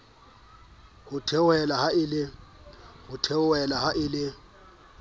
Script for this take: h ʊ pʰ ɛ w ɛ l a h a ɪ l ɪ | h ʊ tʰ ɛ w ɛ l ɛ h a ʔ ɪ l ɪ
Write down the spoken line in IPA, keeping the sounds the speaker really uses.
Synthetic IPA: h ʊ tʰ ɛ w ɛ l a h a ɪ l ɪ | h ʊ tʰ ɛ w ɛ l a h a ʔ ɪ l ɪ